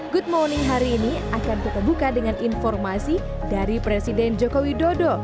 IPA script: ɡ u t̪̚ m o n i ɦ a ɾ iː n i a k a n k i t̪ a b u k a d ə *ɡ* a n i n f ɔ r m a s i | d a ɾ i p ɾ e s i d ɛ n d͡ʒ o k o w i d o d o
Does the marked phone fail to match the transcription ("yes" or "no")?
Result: yes